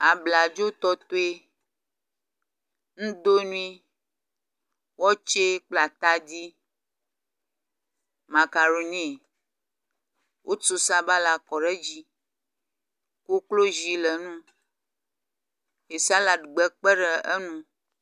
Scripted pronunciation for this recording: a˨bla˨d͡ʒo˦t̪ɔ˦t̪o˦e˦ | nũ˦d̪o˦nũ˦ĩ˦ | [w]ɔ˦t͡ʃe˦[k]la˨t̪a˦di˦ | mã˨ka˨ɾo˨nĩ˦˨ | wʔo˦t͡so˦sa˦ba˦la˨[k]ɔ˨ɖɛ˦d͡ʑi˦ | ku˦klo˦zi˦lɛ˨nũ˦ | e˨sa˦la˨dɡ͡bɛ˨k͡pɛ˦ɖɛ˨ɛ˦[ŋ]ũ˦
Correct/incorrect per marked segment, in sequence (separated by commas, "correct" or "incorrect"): correct, incorrect, correct, incorrect